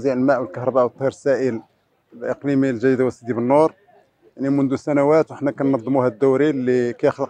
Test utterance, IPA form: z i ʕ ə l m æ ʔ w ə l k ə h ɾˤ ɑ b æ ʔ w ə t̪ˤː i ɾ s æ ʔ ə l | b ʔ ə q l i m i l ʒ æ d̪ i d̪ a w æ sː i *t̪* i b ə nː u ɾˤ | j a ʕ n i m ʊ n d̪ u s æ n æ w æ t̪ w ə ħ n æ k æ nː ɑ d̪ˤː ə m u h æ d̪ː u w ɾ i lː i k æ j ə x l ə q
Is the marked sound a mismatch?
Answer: yes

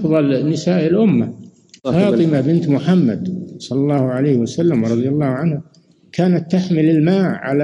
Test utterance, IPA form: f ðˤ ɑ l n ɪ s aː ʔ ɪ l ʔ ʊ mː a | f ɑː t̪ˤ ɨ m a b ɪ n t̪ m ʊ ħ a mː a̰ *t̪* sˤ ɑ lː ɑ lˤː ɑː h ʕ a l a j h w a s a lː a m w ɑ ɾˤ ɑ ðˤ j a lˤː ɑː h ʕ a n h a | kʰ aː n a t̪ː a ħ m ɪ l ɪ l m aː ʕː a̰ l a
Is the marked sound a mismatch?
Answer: yes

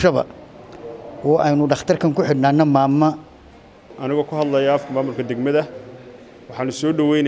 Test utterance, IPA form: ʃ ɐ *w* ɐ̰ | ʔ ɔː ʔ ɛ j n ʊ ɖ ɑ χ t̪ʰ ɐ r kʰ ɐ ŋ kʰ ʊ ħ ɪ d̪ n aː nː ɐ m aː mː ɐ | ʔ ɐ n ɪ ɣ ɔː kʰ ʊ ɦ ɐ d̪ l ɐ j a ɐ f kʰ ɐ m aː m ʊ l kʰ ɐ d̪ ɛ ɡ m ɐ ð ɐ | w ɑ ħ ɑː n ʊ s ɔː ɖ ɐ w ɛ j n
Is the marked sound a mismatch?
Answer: yes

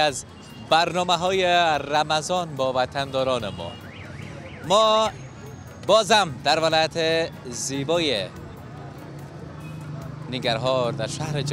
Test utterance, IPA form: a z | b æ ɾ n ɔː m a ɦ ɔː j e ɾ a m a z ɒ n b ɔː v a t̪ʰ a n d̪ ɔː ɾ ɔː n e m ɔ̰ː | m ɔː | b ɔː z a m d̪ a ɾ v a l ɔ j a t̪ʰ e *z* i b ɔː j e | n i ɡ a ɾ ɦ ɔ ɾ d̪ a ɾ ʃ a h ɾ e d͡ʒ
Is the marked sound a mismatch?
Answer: no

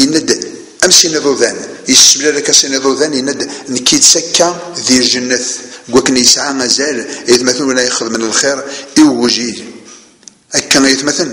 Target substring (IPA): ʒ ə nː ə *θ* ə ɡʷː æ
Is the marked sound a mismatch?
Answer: no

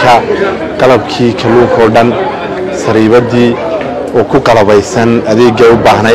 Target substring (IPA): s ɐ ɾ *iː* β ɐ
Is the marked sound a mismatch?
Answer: no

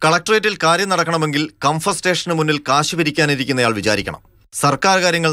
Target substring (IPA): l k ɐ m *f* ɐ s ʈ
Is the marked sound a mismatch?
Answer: no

